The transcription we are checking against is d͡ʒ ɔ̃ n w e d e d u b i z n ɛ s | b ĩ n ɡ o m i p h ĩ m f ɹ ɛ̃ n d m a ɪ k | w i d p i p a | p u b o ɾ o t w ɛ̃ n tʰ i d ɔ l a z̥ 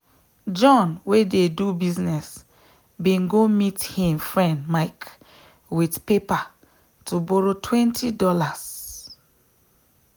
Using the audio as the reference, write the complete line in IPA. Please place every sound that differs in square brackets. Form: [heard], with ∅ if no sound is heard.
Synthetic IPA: d͡ʒ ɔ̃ n w e d e d u b i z n ɛ s | b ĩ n ɡ o m i [t] h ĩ m f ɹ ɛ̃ n d m a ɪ k | w i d p [e] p a | [t] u b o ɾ o t w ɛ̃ n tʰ i d ɔ l a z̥